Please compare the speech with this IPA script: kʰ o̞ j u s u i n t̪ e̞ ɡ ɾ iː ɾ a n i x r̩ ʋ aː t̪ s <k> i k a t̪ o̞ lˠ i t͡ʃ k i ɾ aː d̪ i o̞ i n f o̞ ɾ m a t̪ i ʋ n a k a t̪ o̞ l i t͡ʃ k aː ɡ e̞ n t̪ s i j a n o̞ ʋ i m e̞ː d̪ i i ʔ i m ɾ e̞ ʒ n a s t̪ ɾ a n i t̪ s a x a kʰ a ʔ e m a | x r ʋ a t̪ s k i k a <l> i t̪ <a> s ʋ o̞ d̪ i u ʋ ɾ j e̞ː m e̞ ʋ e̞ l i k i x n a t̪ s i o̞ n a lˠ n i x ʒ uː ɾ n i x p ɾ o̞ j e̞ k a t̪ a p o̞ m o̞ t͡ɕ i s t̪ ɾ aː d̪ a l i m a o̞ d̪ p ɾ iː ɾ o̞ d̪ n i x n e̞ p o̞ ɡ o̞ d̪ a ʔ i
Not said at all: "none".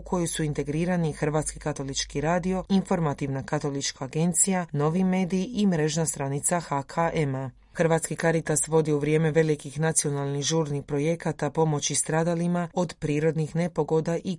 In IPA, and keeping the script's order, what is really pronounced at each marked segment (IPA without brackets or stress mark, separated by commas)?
k, ɾ, a